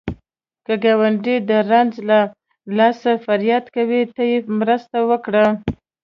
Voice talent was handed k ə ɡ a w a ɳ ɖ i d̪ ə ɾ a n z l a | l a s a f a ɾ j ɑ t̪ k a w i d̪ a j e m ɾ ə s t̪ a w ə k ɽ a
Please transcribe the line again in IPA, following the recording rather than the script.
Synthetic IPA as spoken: k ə ɡ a w a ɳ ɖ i d̪ ə ɾ a n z l a | l ɑ s a f a ɾ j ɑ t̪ k a w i t̪ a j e m ɾ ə s t̪ a w ə k ɽ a